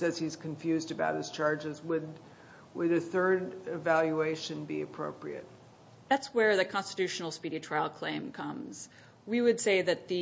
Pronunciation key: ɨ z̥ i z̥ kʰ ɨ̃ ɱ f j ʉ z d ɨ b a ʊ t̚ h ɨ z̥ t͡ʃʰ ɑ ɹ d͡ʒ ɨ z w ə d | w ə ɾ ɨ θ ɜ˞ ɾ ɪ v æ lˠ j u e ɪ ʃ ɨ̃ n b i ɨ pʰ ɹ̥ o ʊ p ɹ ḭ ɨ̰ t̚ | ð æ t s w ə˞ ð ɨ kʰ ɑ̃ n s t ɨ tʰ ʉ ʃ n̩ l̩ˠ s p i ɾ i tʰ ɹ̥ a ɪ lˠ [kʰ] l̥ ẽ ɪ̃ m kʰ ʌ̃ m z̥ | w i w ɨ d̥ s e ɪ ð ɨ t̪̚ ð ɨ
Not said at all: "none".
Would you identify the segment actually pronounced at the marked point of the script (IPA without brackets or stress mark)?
kʰ